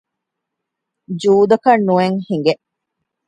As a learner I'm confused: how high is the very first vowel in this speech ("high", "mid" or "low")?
high